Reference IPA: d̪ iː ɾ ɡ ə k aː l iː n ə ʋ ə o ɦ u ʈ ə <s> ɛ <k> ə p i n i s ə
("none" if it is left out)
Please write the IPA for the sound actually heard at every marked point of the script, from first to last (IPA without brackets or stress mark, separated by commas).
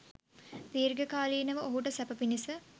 s, p